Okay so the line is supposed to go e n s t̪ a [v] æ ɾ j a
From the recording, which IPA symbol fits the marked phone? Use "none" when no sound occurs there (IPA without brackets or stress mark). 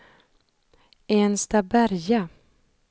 b